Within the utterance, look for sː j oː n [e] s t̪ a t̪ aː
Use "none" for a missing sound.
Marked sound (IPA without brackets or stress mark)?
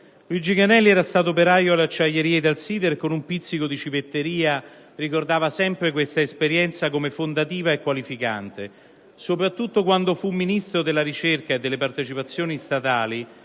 i